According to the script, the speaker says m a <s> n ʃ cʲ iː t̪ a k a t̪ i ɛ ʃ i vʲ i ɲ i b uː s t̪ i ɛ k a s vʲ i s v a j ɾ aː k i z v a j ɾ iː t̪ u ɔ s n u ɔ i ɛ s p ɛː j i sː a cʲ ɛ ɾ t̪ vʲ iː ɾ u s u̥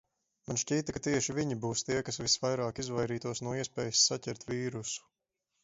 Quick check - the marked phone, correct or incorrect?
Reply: incorrect